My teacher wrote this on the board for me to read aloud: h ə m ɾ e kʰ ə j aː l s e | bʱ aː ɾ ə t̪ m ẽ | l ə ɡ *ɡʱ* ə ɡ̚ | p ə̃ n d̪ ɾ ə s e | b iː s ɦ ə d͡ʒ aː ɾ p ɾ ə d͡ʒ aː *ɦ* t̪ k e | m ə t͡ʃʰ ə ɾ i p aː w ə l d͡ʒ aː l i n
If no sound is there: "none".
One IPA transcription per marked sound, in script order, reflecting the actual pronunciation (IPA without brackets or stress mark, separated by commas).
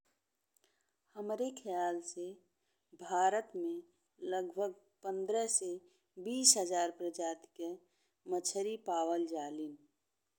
bʱ, none